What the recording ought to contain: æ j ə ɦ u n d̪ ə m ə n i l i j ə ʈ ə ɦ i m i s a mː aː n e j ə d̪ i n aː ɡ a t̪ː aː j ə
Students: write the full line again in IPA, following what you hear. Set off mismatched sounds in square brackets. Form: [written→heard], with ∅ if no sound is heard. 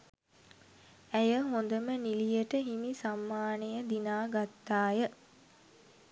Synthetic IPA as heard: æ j ə ɦ [u→o] n d̪ ə m ə n i l i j ə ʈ ə ɦ i m i s a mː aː n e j ə d̪ i n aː ɡ a t̪ː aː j ə